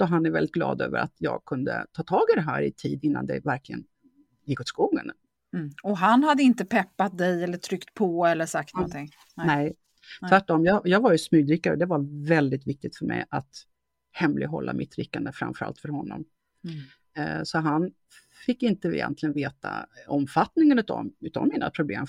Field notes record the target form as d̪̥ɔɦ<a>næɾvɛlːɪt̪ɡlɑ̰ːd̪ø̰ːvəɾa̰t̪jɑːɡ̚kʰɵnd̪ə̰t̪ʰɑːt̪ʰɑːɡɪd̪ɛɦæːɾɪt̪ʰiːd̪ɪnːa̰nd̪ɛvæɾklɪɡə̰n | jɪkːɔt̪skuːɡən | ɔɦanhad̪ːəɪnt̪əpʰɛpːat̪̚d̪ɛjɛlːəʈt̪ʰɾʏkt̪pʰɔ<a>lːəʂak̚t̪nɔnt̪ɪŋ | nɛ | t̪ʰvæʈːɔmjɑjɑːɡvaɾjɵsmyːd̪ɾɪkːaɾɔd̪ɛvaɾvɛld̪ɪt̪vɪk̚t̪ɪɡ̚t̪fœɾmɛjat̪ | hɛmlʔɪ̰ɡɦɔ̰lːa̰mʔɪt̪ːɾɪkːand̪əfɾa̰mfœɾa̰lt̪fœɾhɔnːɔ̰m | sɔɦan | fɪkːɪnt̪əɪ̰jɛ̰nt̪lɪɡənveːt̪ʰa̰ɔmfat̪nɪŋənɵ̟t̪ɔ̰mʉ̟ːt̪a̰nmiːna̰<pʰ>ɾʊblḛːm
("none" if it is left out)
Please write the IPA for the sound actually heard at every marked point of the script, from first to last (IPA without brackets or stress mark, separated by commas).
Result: a, ɛ, pʰ